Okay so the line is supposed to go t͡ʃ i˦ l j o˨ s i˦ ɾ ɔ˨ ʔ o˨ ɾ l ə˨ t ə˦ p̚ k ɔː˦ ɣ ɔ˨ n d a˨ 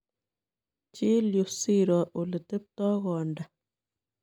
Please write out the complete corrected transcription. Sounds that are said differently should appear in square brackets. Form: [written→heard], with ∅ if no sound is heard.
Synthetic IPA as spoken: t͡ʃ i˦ l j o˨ s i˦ ɾ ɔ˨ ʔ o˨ [ɾ→∅] l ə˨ t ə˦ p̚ [k→t] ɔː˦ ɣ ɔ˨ n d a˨